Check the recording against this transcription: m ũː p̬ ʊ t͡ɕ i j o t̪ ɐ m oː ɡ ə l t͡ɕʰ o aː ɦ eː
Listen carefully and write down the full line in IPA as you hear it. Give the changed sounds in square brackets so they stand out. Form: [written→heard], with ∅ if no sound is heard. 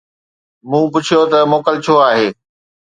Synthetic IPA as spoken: m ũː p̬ ʊ [t͡ɕ→t͡ɕʰ] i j o t̪ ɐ m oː [ɡ→k] ə l t͡ɕʰ o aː ɦ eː